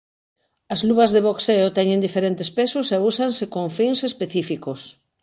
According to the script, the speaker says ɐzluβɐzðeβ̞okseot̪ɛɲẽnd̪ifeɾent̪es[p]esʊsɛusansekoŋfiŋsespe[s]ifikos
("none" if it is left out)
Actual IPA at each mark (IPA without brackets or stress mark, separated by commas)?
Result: p, θ